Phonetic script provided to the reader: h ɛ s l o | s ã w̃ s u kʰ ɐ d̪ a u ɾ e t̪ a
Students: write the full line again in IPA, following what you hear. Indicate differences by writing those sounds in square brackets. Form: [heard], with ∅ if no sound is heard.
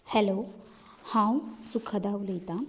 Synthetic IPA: h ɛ [∅] l o | [h] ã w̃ s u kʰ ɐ d̪ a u [l] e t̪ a